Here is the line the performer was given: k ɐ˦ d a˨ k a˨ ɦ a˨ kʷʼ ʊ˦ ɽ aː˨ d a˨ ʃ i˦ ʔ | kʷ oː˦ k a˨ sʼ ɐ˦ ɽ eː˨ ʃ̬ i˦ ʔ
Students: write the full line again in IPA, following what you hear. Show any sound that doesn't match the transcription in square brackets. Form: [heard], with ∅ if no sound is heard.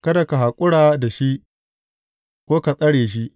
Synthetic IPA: k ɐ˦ d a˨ k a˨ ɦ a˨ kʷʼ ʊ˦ ɽ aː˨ d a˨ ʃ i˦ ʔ | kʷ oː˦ k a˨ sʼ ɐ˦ ɽ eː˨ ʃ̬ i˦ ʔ